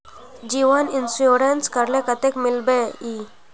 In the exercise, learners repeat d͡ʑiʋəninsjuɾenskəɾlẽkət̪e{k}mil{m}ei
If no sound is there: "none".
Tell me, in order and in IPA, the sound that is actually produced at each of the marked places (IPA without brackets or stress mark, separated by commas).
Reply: k, b